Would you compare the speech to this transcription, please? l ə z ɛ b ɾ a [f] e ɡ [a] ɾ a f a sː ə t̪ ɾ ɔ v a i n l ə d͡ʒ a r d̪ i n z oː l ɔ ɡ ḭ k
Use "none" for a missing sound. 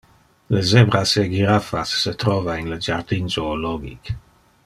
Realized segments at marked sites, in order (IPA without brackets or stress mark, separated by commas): s, i